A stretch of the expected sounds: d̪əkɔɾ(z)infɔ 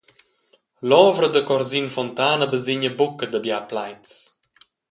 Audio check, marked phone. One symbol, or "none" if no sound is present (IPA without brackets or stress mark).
z